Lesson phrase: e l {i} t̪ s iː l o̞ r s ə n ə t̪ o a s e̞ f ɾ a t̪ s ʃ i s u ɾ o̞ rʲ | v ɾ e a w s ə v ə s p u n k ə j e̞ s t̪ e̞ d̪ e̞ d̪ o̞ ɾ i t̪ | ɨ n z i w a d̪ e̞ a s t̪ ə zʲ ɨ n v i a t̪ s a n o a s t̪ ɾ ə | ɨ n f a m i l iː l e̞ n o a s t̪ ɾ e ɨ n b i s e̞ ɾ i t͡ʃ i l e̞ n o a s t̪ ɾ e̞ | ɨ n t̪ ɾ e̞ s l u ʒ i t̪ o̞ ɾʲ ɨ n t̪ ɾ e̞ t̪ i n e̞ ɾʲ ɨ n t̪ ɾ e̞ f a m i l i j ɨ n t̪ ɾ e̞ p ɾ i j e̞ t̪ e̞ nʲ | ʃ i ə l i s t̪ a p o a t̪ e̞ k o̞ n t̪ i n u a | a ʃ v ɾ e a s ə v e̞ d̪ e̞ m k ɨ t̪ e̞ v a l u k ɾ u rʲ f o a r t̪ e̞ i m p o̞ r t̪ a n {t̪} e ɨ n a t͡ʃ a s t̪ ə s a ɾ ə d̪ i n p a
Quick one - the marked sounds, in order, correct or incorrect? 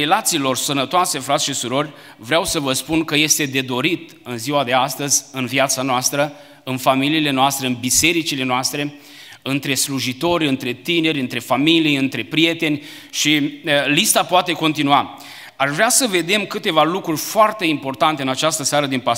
incorrect: a, correct

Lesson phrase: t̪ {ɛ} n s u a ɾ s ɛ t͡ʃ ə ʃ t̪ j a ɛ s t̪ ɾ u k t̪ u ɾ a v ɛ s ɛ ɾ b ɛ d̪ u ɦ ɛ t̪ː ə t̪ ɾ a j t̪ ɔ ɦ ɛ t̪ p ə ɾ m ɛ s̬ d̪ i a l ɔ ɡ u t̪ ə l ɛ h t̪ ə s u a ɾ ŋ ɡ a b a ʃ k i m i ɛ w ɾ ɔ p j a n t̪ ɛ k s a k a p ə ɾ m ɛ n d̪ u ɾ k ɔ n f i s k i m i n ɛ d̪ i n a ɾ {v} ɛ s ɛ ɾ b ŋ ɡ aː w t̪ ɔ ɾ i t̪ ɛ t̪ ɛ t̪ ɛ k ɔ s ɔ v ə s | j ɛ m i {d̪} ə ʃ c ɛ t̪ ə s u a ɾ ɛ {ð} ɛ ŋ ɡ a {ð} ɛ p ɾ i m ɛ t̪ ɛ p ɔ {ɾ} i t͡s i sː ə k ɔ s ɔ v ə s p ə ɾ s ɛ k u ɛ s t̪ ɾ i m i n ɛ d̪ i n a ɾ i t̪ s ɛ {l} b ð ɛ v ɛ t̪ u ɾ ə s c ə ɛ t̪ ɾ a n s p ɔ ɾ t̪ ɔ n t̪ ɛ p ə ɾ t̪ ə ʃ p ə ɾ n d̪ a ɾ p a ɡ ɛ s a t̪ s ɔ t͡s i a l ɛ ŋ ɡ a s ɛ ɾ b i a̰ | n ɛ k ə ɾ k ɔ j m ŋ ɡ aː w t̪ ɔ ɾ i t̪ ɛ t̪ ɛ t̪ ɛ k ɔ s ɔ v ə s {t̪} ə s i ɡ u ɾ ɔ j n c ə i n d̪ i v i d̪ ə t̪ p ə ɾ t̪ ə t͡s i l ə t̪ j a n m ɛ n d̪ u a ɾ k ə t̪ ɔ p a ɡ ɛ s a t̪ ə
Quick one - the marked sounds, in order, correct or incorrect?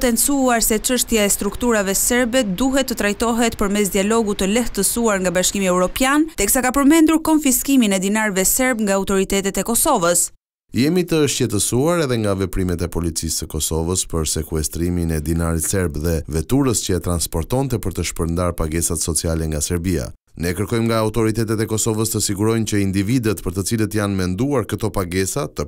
correct, correct, incorrect: t̪, correct, incorrect: v, incorrect: l, incorrect: ɾ, correct

